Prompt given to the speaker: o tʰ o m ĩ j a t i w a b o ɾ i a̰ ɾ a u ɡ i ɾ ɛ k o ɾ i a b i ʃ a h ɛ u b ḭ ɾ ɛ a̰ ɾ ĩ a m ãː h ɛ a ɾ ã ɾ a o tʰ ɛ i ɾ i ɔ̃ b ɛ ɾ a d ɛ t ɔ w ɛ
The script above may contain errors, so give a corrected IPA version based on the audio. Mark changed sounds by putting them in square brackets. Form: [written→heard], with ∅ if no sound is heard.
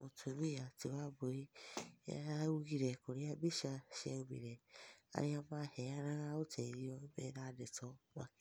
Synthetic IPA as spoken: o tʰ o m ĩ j a t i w a b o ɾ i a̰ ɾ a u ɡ i ɾ ɛ k o ɾ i a b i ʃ a [h→ʃ] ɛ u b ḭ ɾ ɛ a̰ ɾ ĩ a m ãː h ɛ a ɾ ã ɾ a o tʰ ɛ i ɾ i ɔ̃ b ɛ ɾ a d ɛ t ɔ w [ɛ→a]